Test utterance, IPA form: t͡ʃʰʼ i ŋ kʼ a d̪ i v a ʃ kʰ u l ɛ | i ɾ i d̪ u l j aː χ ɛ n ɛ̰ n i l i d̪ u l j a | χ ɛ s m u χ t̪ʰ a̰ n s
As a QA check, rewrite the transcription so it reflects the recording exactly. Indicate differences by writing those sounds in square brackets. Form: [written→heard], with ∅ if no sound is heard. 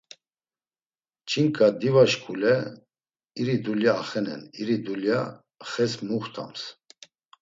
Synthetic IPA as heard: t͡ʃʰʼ i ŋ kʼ a d̪ i v a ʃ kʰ u l ɛ | i ɾ i d̪ u l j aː χ ɛ n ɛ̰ n i [l→ɾ] i d̪ u l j a | χ ɛ s m u χ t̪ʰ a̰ [n→m] s

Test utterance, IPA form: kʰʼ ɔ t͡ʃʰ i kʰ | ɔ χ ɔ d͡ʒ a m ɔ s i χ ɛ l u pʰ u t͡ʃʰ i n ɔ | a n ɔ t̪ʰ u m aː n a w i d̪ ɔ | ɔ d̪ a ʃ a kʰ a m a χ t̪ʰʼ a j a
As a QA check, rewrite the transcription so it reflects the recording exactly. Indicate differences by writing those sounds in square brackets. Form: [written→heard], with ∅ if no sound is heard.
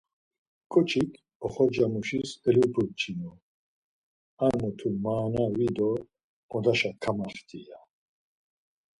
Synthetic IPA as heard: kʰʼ ɔ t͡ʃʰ i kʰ | ɔ χ ɔ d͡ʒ a m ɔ [s→ʃ] i [χ→s] ɛ l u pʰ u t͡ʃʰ i n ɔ | a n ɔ t̪ʰ u m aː n a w i d̪ ɔ | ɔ d̪ a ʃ a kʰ a m a χ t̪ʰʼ [a→i] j a

